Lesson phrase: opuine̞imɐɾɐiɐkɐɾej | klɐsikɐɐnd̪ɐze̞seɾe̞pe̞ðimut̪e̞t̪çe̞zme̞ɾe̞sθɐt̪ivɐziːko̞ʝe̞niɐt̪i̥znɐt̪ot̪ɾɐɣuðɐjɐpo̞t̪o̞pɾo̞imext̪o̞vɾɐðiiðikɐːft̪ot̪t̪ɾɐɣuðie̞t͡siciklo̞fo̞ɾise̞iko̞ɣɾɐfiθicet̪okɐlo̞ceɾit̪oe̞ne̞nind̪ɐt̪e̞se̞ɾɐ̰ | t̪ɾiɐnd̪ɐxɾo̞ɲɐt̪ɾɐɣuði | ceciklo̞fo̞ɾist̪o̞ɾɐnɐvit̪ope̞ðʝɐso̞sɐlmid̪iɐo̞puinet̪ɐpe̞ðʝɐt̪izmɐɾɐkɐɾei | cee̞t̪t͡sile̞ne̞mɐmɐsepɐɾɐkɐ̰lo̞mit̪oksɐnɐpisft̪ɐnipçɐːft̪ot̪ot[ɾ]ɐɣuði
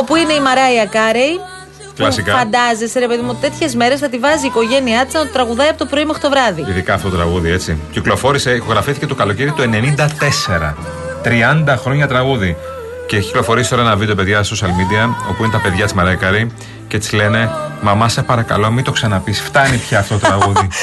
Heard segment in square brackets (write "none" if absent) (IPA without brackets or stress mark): ɾ